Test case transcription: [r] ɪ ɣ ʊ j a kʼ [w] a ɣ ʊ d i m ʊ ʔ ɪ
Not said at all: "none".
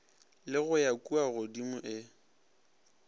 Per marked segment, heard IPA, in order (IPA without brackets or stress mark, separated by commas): l, u